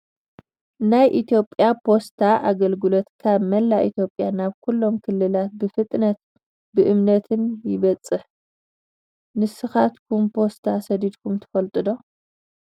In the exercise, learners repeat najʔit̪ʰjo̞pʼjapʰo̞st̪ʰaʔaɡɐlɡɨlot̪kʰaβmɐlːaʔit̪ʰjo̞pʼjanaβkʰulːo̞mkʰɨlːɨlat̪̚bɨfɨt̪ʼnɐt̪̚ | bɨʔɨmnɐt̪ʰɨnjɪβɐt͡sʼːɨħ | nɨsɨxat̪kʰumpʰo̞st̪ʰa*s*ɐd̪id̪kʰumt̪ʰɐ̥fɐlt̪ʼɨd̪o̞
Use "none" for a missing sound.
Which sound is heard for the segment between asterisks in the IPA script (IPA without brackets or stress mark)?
s